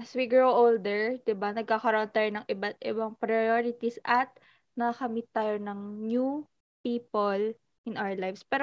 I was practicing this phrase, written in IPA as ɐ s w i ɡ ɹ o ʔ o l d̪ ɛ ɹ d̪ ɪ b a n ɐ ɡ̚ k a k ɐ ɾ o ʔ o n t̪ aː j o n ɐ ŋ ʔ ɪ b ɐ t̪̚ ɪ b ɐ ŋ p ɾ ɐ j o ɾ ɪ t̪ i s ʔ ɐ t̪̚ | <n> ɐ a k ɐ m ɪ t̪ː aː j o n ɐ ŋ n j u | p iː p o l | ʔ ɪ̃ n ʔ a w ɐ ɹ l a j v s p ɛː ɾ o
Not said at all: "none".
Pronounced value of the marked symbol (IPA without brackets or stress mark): n